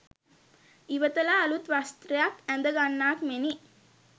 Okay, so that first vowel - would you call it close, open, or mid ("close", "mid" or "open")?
close